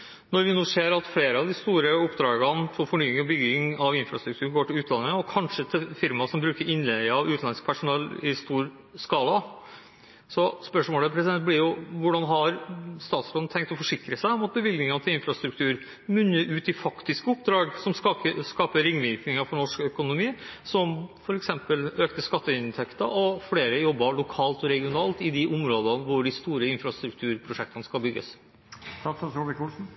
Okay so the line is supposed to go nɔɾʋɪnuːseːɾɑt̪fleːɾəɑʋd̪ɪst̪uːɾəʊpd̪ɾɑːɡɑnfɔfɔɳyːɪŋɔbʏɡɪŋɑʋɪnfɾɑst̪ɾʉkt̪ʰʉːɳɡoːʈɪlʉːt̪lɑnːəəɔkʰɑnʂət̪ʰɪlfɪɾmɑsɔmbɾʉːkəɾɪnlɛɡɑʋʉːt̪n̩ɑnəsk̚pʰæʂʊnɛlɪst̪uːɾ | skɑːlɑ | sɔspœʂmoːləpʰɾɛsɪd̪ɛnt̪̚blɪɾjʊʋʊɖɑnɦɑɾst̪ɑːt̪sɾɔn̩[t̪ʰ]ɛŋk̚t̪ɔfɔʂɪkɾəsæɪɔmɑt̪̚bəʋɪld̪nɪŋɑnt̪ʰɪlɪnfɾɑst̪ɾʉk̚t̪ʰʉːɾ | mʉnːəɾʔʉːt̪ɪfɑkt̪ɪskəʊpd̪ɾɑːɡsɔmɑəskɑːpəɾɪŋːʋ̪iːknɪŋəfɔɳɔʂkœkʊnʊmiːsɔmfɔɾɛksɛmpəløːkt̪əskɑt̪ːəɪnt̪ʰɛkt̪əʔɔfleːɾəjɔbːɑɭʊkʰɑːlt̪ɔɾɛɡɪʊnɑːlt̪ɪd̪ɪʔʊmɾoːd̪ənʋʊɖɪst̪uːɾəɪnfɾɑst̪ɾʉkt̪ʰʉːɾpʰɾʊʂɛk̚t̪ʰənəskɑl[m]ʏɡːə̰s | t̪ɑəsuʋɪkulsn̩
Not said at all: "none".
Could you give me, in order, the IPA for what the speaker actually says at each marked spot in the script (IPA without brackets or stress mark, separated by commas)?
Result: t̪ʰ, b